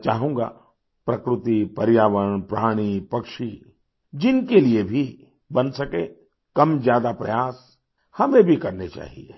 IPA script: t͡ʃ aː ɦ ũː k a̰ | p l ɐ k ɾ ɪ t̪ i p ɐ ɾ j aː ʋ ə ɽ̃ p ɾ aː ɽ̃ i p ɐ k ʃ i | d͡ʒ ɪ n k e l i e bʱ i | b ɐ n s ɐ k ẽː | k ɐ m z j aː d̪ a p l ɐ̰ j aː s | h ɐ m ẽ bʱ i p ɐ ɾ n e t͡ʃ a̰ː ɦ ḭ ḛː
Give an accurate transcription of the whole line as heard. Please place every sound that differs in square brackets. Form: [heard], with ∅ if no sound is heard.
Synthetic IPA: t͡ʃ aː ɦ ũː [ɡ] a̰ | p [ɾ] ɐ k ɾ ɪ t̪ i p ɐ ɾ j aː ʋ ə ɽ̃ p ɾ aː ɽ̃ i p ɐ k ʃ i | d͡ʒ ɪ n k e l i e bʱ i | b ɐ n s ɐ k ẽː | k ɐ m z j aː d̪ a p [ɾ] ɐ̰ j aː s | h ɐ m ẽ bʱ i [k] ɐ ɾ n e t͡ʃ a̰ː ɦ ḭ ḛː